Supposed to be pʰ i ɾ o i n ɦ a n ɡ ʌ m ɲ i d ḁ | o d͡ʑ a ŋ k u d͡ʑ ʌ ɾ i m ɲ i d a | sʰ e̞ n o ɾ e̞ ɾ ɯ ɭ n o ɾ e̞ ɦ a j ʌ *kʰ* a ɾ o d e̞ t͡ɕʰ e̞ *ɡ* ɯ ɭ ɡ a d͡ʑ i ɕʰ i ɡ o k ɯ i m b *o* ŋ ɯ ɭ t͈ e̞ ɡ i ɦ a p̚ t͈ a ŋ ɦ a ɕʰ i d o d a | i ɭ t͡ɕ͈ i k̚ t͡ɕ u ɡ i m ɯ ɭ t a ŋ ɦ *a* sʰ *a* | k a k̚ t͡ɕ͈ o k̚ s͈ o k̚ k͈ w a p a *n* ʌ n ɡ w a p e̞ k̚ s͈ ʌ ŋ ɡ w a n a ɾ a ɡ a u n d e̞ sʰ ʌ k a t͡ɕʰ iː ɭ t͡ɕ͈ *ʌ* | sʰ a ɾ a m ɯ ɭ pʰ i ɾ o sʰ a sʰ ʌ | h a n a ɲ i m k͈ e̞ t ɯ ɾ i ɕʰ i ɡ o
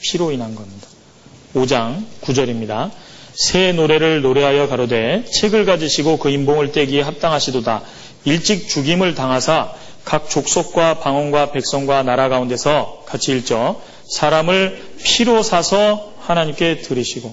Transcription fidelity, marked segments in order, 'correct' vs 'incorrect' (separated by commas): incorrect, correct, correct, correct, correct, incorrect, correct